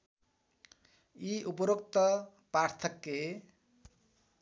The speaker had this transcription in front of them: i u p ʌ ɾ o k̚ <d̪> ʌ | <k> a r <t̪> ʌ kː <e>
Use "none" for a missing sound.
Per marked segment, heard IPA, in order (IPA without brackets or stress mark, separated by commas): t̪, p, t̪ʰ, e